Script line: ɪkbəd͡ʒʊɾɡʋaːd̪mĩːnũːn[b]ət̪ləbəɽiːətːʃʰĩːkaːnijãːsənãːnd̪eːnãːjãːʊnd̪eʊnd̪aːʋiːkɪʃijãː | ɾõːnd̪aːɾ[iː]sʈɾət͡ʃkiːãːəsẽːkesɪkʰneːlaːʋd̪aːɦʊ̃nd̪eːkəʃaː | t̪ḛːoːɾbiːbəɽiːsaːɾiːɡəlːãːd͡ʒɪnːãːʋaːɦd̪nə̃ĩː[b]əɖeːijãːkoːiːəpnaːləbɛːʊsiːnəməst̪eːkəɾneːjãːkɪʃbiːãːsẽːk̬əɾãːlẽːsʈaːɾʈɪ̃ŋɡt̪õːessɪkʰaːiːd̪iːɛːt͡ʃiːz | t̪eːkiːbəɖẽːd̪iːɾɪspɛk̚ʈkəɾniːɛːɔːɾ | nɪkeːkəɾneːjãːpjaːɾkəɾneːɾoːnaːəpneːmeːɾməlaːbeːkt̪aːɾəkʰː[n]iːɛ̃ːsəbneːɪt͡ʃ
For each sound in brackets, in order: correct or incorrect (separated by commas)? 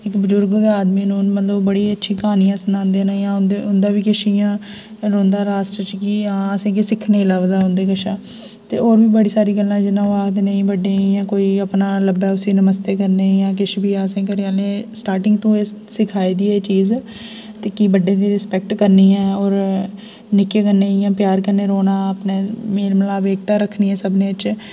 incorrect, incorrect, correct, correct